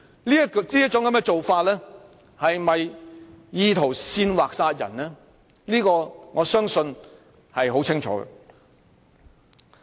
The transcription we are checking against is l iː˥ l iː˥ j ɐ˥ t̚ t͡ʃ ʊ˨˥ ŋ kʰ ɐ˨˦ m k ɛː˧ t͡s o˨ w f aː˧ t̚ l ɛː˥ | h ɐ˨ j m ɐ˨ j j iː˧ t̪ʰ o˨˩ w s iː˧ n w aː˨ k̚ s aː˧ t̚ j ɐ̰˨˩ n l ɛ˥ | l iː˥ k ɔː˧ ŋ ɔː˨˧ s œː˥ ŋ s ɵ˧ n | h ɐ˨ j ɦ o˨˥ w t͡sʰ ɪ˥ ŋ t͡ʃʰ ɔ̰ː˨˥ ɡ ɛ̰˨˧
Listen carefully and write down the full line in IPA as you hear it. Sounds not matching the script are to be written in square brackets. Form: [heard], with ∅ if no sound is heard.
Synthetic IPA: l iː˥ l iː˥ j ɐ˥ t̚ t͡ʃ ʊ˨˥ ŋ [k] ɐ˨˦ m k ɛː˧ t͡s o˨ w f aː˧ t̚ l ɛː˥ | h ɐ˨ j m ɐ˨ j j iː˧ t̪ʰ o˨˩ w s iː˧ n w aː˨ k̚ s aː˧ t̚ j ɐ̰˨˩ n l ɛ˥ | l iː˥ k ɔː˧ ŋ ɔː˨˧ s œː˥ ŋ s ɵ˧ n | h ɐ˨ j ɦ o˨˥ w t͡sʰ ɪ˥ ŋ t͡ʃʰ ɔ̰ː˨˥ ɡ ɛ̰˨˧